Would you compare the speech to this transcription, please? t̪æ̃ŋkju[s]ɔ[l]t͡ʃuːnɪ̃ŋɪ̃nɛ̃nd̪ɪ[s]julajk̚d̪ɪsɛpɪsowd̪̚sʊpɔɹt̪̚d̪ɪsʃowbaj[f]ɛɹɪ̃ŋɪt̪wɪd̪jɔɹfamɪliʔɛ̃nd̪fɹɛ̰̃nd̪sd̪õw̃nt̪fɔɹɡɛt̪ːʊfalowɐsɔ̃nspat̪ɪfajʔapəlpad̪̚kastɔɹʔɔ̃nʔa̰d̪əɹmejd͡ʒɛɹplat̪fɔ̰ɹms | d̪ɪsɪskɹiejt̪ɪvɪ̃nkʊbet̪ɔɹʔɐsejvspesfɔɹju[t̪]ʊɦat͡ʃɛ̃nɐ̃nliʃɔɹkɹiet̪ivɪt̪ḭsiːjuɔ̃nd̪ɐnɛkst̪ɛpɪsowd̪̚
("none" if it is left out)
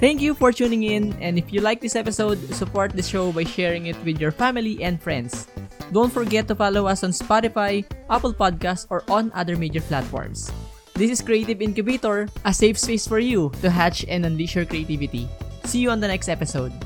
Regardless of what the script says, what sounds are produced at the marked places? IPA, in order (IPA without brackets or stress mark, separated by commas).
f, ɹ, f, ʃ, t̪